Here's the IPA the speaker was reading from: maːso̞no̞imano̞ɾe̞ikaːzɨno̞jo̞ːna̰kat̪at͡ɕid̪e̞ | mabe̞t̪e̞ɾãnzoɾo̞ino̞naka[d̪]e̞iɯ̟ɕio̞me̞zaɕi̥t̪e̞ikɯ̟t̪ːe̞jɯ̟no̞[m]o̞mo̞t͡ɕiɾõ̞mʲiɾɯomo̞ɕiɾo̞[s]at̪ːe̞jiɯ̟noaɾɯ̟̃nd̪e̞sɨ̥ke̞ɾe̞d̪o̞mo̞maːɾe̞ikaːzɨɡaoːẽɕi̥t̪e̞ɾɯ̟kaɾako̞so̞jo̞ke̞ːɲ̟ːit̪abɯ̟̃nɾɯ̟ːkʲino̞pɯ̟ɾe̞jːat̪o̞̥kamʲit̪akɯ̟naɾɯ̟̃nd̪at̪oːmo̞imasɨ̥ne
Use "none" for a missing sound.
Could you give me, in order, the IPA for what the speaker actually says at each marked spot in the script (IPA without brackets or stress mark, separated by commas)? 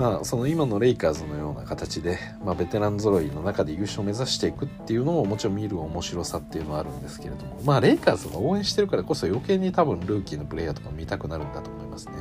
d̪, m, s